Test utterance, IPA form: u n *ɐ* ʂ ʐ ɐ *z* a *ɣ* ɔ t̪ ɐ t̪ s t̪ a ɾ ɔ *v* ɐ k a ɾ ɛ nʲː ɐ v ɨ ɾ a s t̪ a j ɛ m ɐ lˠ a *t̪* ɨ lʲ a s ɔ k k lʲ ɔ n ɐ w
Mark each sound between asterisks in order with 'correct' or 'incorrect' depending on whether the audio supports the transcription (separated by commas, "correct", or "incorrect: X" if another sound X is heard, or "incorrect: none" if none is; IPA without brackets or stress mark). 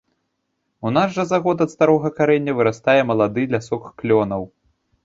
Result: incorrect: a, correct, correct, incorrect: ɣ, incorrect: d̪